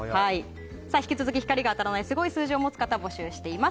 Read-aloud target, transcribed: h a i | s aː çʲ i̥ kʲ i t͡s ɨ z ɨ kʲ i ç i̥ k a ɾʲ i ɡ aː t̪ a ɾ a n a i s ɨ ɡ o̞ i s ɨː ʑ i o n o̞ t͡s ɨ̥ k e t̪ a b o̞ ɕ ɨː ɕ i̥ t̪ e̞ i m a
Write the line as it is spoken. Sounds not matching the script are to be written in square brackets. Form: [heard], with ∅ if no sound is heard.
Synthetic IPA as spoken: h a i | s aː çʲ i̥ kʲ i t͡s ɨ z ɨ kʲ i ç i̥ k a ɾʲ i ɡ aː t̪ a ɾ a n a i s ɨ ɡ o̞ i s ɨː ʑ i o [m] o̞ t͡s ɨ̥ k [a] t̪ a b o̞ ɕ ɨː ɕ i̥ t̪ e̞ i m a